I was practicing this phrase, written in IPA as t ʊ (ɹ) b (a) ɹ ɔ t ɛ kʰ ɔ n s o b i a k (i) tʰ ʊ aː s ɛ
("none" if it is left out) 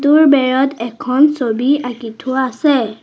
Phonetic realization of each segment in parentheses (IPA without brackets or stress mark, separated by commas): ɹ, ɛ, i